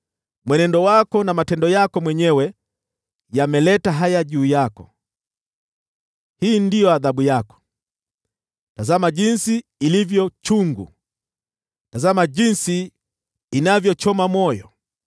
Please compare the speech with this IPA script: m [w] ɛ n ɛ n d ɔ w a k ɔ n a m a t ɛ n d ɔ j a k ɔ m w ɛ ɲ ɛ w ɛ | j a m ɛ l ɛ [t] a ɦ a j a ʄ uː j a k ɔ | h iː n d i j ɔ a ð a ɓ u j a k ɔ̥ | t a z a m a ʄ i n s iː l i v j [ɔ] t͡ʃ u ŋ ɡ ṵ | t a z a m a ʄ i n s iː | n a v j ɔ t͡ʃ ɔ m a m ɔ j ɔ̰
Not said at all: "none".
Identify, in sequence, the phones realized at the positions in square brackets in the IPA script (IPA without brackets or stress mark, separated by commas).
w, t, ɔ